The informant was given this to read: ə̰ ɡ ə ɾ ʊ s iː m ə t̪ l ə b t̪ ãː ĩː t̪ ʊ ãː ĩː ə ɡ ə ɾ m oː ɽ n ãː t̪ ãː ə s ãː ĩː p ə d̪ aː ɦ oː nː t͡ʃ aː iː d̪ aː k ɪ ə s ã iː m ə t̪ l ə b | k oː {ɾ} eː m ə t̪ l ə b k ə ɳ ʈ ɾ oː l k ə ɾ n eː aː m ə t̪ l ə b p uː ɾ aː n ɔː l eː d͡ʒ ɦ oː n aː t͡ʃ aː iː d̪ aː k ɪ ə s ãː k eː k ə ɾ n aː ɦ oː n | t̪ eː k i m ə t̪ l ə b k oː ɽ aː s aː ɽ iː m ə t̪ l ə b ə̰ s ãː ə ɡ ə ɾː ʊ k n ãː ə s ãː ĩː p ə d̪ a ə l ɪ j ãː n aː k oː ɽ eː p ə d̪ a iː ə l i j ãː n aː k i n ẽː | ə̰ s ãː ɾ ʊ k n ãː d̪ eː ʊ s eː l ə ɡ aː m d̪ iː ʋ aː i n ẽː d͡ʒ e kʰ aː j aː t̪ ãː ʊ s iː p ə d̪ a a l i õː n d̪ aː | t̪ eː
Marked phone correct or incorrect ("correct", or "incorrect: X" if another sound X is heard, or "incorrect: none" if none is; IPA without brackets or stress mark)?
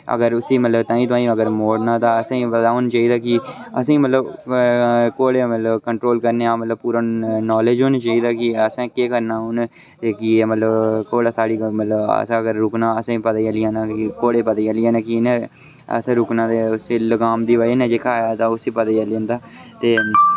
incorrect: ɽ